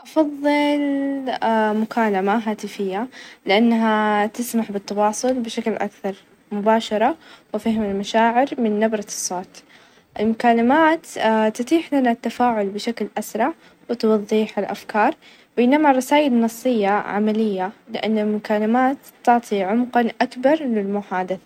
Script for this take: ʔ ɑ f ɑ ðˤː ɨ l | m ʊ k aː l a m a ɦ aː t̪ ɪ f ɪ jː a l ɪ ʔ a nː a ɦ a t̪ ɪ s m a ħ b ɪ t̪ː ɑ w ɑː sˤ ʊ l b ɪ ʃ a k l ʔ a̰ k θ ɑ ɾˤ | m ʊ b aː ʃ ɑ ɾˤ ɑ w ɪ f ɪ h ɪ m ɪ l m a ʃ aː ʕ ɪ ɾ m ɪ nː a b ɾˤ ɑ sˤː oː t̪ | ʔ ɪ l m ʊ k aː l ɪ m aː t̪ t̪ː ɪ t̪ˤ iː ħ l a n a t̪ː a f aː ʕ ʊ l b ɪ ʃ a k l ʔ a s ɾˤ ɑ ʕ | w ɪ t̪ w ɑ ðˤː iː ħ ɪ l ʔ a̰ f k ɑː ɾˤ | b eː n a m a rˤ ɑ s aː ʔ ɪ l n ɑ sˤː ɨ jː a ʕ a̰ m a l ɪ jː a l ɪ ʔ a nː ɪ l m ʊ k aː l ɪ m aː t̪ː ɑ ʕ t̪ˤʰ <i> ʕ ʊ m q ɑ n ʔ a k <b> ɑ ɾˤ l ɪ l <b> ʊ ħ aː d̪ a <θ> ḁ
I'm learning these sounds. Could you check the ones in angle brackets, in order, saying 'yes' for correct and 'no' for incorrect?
yes, yes, no, yes

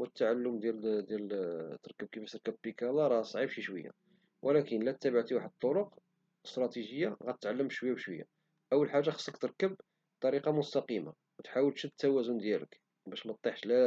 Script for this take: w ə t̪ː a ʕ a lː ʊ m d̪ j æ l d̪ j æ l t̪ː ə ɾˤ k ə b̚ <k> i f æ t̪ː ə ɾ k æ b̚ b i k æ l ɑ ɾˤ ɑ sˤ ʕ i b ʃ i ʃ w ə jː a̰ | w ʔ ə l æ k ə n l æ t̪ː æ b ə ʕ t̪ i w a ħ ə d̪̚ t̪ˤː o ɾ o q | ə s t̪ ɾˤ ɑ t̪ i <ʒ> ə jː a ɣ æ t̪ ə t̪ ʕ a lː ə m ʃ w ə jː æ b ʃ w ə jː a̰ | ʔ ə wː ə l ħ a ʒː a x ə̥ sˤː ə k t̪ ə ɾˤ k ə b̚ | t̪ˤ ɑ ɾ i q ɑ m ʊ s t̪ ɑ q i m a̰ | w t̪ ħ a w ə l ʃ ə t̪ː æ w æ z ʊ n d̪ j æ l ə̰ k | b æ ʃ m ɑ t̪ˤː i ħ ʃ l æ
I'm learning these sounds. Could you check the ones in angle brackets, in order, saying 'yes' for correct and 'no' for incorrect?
yes, yes

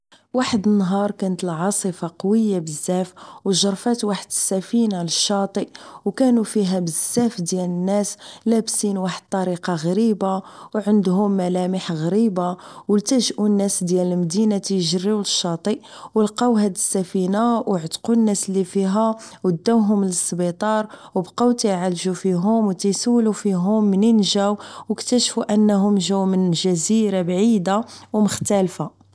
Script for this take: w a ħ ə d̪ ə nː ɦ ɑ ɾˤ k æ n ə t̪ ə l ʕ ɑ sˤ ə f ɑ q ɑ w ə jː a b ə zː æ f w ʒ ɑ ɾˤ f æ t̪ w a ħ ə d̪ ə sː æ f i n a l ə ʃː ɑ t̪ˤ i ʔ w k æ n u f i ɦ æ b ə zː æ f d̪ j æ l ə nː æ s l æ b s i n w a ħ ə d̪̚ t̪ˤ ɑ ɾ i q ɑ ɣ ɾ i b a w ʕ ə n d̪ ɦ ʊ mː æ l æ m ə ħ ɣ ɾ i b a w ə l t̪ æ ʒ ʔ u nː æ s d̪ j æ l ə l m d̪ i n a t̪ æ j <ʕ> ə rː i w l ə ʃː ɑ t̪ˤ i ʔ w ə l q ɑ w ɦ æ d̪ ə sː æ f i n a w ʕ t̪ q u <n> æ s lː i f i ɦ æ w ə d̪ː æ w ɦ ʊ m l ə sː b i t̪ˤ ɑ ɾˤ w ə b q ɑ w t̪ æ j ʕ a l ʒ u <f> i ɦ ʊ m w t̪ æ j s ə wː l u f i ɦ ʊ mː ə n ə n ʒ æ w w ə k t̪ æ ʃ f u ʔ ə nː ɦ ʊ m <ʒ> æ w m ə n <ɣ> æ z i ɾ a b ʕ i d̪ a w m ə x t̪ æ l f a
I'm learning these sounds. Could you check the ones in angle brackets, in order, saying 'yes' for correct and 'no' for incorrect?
no, no, yes, yes, no

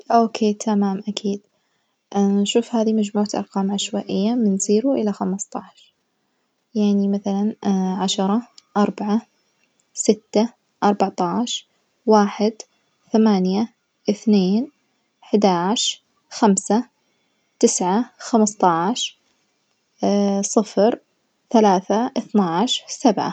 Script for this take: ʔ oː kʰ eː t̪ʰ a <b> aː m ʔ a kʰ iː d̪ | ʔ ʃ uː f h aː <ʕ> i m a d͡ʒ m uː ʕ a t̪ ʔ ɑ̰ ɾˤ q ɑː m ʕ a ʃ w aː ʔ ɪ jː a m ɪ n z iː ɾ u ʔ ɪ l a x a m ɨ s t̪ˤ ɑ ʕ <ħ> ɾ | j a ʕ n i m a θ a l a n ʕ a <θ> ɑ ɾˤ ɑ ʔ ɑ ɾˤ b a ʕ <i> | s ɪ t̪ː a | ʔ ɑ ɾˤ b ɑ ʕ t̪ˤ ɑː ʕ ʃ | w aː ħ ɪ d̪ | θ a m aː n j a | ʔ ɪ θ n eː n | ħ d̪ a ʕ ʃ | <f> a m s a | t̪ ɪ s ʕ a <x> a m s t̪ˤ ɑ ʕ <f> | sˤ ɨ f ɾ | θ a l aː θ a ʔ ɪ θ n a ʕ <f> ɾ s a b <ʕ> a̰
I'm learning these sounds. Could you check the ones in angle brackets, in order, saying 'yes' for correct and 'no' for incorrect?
no, no, no, no, no, no, yes, no, no, yes

